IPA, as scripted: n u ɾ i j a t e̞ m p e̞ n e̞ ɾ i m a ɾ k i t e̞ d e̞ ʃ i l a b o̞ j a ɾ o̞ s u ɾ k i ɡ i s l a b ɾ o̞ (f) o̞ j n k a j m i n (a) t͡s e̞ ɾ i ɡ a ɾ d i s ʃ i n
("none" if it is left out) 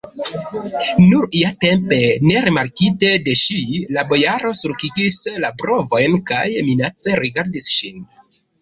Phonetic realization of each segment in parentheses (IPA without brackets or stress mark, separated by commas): v, a